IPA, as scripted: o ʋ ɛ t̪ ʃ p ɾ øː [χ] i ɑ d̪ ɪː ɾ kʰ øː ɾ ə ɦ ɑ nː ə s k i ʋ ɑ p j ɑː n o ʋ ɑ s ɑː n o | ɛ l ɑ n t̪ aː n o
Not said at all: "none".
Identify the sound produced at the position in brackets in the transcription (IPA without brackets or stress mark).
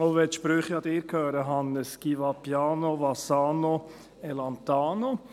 χ